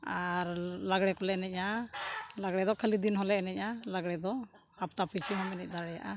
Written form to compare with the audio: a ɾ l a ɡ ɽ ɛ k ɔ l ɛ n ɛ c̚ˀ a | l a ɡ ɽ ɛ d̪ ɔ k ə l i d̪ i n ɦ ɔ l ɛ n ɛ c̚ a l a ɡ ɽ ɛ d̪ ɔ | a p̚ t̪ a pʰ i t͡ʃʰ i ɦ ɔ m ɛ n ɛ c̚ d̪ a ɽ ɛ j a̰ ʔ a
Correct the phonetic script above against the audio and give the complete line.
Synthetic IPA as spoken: a ɾ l a ɡ ɽ ɛ k ɔ l ɛ n ɛ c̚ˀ a | l a ɡ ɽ ɛ d̪ ɔ kʰ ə l i d̪ i n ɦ ɔ l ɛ n ɛ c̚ a l a ɡ ɽ ɛ d̪ ɔ | a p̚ t̪ a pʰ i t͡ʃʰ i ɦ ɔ m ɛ n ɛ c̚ d̪ a ɽ ɛ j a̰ ʔ a